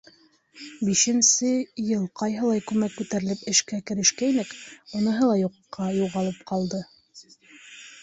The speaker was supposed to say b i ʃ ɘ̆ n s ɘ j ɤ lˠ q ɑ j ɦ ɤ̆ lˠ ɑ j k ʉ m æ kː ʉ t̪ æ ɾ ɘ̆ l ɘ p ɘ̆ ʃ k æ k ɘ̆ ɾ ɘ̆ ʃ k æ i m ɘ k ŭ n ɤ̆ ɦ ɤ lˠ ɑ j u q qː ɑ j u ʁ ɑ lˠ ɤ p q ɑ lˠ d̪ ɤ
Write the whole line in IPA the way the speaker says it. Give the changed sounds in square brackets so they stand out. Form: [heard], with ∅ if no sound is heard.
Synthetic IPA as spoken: b i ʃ ɘ̆ n s ɘ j ɤ lˠ q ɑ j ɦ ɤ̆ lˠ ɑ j k ʉ m æ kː ʉ t̪ æ ɾ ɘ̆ l ɘ p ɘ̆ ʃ k æ k ɘ̆ ɾ ɘ̆ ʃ k æ i [n] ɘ k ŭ n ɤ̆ ɦ ɤ lˠ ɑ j u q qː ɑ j u ʁ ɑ lˠ ɤ p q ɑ lˠ d̪ ɤ